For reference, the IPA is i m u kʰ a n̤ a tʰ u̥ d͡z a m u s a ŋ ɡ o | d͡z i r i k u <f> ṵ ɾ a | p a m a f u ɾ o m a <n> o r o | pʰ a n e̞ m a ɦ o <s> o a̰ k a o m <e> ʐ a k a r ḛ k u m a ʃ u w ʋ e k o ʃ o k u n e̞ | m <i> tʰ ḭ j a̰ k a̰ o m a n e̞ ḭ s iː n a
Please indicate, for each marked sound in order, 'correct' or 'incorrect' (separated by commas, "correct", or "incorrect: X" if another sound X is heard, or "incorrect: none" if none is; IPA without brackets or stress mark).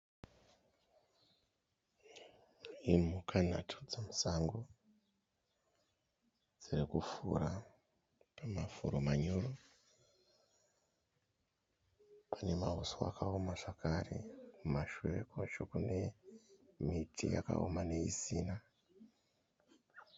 correct, incorrect: ɲ, correct, incorrect: a, correct